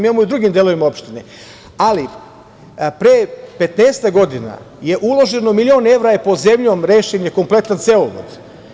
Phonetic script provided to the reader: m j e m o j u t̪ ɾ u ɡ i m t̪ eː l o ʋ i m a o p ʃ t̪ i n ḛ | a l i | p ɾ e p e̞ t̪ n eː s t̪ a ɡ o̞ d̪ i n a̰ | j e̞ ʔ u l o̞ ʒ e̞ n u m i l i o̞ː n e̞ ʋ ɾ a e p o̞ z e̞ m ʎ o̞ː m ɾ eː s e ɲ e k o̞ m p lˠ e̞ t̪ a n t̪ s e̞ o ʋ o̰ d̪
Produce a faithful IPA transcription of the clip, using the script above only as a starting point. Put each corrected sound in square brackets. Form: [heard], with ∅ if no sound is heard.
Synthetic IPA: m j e m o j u [d̪] ɾ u ɡ i m [d̪] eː l o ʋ i m a o p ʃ t̪ i n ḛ | a l i | p ɾ e p e̞ t̪ n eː s t̪ a ɡ o̞ d̪ i n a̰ | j e̞ ʔ u l o̞ ʒ e̞ n [o] m i l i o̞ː n e̞ ʋ ɾ a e p o̞ z e̞ m ʎ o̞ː m ɾ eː [ʃ] e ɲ e k o̞ m p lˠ e̞ t̪ a n t̪ s e̞ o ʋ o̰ d̪